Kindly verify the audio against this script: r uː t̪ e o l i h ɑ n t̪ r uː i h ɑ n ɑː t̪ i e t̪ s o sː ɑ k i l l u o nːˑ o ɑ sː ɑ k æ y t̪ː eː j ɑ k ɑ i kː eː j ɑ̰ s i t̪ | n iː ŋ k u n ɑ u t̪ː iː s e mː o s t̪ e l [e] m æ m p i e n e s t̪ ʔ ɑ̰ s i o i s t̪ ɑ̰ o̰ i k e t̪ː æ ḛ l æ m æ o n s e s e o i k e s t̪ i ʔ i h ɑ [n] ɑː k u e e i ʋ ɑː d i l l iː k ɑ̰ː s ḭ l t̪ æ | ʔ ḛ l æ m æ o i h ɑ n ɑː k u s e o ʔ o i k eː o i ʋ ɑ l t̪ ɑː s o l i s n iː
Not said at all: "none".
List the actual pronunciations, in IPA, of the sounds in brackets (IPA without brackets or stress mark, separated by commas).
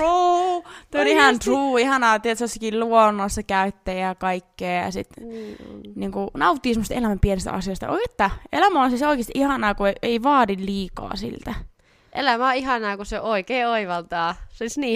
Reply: æ, n